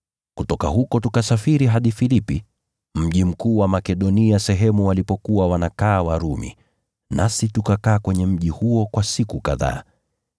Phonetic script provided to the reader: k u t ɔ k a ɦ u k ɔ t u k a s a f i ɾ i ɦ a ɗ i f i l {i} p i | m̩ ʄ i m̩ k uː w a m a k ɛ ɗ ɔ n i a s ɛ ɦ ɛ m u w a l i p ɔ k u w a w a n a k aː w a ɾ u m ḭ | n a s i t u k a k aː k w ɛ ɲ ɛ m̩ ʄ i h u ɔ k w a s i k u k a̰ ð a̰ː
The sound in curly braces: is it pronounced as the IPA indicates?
yes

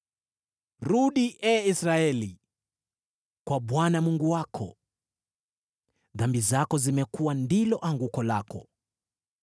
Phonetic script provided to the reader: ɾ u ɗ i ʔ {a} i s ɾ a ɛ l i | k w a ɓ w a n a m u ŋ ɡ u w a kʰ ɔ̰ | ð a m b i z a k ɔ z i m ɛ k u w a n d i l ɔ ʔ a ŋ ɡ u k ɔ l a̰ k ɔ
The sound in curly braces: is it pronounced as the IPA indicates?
no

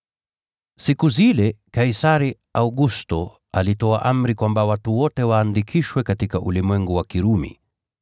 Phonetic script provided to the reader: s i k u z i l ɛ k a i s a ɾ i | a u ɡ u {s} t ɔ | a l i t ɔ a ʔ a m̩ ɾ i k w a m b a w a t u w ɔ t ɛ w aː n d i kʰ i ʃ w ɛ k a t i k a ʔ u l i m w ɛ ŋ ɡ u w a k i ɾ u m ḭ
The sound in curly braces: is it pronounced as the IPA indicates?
yes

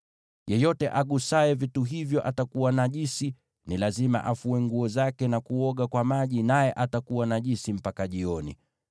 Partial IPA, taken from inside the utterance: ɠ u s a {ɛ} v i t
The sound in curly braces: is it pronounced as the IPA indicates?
yes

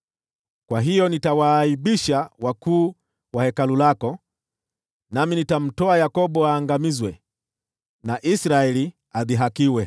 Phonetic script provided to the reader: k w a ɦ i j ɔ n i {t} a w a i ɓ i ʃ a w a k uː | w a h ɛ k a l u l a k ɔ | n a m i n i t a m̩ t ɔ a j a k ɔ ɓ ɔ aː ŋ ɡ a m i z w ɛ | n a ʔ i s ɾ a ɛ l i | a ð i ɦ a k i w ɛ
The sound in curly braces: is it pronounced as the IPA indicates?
yes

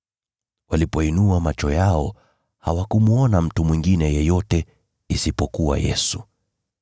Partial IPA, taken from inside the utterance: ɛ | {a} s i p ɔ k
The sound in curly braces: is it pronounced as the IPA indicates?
no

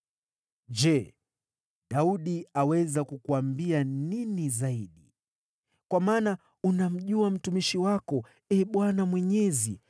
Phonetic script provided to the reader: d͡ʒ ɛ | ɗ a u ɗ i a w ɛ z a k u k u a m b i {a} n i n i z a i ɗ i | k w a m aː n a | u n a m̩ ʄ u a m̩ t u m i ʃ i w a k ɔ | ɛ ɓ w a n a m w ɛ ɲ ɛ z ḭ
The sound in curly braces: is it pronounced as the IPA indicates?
yes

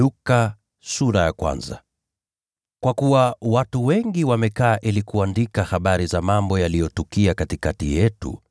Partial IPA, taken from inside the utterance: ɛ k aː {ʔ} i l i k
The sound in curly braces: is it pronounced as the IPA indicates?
yes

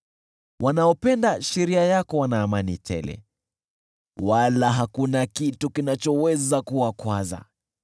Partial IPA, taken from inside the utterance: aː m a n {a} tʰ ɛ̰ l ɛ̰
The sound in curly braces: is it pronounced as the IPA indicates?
no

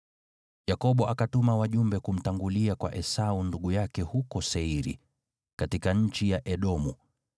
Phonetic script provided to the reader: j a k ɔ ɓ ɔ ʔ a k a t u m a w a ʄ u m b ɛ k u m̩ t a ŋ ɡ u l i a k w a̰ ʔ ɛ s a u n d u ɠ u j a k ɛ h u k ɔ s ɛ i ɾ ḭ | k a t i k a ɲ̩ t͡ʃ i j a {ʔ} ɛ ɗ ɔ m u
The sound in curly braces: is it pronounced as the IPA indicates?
yes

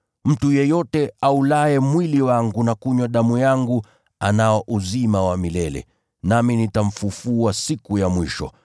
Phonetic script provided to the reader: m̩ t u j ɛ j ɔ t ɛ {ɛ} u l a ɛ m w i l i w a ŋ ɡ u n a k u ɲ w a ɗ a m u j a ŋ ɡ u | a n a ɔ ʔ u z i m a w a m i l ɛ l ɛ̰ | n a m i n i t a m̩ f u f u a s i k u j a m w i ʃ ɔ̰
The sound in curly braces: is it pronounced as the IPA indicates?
no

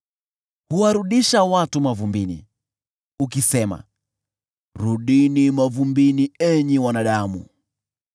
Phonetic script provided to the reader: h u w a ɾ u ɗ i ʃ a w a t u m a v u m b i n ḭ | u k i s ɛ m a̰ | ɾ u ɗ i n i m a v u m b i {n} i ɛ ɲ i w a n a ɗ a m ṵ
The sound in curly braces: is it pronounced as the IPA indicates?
yes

